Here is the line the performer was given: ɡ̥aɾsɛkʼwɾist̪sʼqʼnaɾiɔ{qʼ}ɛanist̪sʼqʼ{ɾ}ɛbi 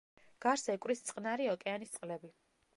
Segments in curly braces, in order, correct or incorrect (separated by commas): incorrect, incorrect